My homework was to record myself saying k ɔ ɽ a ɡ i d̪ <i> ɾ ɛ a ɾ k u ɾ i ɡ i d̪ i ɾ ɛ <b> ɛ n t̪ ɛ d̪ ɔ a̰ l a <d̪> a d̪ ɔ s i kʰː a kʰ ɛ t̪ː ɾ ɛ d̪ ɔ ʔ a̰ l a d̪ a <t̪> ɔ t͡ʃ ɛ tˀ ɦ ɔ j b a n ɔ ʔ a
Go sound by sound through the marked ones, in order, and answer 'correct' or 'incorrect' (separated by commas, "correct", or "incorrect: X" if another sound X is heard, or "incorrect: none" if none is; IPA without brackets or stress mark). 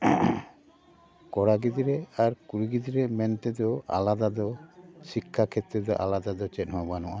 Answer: correct, incorrect: m, correct, incorrect: d̪